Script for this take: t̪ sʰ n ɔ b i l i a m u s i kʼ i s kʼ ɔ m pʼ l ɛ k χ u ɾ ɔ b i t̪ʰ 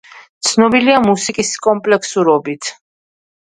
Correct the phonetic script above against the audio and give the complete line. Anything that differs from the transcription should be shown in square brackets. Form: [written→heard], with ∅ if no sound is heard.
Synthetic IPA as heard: t̪ sʰ n ɔ b i l i a m u s i kʼ i s kʼ ɔ m pʼ l ɛ k [χ→s] u ɾ ɔ b i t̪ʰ

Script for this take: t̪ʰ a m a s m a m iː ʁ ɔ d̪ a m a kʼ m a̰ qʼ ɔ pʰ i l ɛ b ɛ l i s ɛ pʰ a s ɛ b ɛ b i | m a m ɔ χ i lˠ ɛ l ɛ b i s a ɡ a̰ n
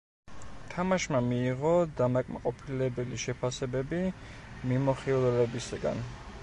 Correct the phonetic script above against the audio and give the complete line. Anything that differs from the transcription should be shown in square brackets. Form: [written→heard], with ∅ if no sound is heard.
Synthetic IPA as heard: t̪ʰ a m a [s→ʃ] m a m iː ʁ ɔ d̪ a m a kʼ m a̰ qʼ ɔ pʰ i l ɛ b ɛ l i [s→ʃ] ɛ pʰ a s ɛ b ɛ b i | m [a→i] m ɔ χ i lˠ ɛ l ɛ b i s a ɡ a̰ n

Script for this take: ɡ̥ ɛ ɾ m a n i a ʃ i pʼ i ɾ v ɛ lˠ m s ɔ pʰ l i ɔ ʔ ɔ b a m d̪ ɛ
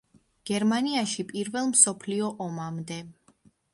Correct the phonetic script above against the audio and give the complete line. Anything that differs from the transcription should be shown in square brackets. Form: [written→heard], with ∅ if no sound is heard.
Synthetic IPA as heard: ɡ̥ ɛ ɾ m a n i a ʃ i pʼ i ɾ v ɛ lˠ m s ɔ pʰ l i ɔ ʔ ɔ [b→m] a m d̪ ɛ

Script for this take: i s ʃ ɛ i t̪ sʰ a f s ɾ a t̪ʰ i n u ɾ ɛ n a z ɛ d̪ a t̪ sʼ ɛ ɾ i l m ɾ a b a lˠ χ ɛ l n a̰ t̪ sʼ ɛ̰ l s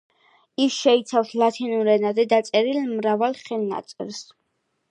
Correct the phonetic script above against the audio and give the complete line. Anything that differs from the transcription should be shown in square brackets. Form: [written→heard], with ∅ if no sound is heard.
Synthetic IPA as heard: i s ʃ ɛ i t̪ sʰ a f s [ɾ→l] a t̪ʰ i n u ɾ ɛ n a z ɛ d̪ a t̪ sʼ ɛ ɾ i l m ɾ a [b→v] a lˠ χ ɛ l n a̰ t̪ sʼ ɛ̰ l s

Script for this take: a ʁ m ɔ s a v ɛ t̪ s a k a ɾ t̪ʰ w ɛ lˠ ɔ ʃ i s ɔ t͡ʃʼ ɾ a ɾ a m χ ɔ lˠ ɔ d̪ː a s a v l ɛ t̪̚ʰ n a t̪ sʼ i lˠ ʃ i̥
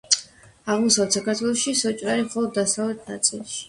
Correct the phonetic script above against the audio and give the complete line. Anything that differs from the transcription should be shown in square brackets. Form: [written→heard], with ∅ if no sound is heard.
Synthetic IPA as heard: a ʁ m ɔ s a v ɛ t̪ s a k a ɾ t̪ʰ w ɛ lˠ ɔ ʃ i s ɔ t͡ʃʼ ɾ a ɾ [a→i] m χ ɔ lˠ ɔ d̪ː a s a v l ɛ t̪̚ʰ n a t̪ sʼ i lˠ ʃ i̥

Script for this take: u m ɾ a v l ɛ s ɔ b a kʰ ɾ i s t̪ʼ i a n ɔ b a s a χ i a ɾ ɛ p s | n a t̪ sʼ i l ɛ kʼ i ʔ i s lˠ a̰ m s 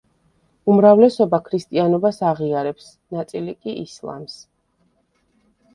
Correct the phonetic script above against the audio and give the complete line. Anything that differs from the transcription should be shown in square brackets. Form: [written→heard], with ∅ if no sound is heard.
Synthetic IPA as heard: u m ɾ a v l ɛ s ɔ b a kʰ ɾ i s t̪ʼ i a n ɔ b a s a [χ→ʁ] i a ɾ ɛ p s | n a t̪ sʼ i l [ɛ→i] kʼ i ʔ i s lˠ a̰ m s

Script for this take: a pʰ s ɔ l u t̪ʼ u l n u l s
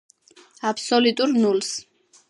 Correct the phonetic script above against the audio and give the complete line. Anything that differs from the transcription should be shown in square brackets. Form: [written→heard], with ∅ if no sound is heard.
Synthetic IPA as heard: a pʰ s ɔ l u t̪ʼ u [l→ɾ] n u l s

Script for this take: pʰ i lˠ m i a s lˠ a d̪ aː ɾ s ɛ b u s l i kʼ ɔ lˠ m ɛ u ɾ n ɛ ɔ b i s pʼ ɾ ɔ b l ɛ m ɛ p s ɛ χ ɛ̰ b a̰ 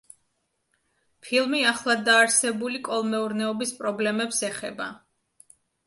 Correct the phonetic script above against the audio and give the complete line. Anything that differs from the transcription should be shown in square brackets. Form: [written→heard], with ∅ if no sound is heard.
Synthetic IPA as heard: pʰ i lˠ m i a [s→χ] lˠ a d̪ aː ɾ s ɛ b u [s→∅] l i kʼ ɔ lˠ m ɛ u ɾ n ɛ ɔ b i s pʼ ɾ ɔ b l ɛ m ɛ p s ɛ χ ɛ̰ b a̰

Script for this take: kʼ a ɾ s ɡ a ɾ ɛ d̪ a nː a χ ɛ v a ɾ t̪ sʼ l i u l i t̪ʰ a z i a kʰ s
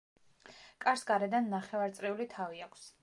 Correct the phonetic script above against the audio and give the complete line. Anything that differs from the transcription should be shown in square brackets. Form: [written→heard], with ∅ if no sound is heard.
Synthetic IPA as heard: kʼ a ɾ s ɡ a ɾ ɛ d̪ a nː a χ ɛ v a ɾ t̪ sʼ [l→ɾ] i u l i t̪ʰ a [z→v] i a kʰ s

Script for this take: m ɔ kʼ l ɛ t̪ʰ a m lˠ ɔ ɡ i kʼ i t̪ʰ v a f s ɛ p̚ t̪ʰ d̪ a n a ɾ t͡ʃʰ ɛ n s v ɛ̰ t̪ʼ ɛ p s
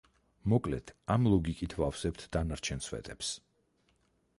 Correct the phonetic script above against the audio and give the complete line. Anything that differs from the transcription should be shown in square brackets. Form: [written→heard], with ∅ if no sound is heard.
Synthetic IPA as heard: m ɔ kʼ l ɛ t̪ʰ a m lˠ ɔ ɡ i kʼ i t̪ʰ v a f s ɛ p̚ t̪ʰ d̪ a n a ɾ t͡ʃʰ ɛ n s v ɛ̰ t̪ʼ ɛ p s

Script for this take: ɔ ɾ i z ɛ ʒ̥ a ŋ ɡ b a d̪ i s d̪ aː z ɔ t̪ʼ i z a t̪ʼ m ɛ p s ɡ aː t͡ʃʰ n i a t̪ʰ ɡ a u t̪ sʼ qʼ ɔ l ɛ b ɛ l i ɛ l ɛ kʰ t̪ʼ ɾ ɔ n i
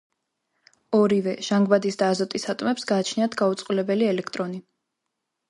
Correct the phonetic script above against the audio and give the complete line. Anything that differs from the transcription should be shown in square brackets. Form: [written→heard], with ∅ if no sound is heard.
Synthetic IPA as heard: ɔ ɾ i [z→v] ɛ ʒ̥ a ŋ ɡ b a d̪ i s d̪ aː z ɔ t̪ʼ i [z→s] a t̪ʼ m ɛ p s ɡ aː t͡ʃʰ n i a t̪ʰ ɡ a u t̪ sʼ qʼ [ɔ→u] l ɛ b ɛ l i ɛ l ɛ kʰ t̪ʼ ɾ ɔ n i

